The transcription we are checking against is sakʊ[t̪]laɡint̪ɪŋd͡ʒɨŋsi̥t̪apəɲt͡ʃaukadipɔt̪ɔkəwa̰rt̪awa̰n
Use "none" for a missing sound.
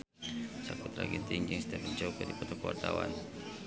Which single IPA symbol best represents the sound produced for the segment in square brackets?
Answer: t̪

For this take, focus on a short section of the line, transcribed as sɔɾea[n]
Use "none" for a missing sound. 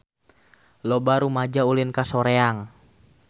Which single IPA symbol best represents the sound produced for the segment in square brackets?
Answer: ŋ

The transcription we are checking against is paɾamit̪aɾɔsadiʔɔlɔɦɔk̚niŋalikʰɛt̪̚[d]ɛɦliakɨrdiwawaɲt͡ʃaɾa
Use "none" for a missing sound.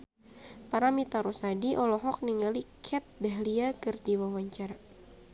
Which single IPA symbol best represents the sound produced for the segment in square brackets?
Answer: d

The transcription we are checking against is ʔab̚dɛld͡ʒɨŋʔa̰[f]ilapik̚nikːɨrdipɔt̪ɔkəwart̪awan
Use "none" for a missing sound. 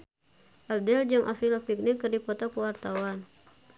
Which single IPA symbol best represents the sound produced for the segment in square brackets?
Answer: f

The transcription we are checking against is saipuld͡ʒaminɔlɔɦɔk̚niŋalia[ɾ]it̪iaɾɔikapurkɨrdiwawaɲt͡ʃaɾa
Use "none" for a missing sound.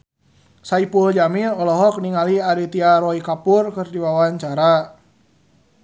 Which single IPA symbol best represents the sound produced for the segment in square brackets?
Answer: ɾ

